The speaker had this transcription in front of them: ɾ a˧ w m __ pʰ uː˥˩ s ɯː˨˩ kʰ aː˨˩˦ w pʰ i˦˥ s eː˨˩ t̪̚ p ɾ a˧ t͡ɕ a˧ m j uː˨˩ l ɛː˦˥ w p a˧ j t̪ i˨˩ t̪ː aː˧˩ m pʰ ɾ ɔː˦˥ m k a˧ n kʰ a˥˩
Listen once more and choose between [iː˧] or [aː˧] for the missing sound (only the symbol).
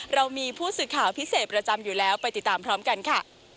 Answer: iː˧